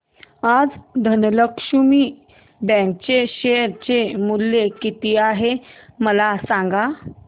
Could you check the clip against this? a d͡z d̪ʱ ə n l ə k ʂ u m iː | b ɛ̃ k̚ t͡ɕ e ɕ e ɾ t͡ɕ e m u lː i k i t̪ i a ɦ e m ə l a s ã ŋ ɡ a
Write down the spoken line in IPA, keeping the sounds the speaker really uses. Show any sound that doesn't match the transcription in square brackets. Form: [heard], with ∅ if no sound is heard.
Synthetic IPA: a d͡z d̪ʱ ə n l ə k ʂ u m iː | b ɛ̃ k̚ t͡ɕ e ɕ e ɾ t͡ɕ e m u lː [e] k i t̪ i a ɦ e m ə l a s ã ŋ ɡ a